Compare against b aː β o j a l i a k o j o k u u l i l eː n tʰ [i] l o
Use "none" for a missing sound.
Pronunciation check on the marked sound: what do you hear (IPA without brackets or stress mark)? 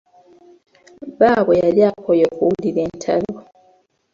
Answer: a